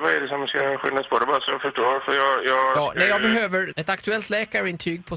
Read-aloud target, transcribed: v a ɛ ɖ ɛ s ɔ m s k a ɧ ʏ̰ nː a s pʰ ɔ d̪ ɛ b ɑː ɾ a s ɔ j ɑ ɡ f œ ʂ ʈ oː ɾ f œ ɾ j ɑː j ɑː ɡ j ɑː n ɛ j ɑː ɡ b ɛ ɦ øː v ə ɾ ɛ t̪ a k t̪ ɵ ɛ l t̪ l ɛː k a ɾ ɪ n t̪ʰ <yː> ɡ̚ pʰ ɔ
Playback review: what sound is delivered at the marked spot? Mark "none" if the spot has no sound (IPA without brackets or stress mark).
yː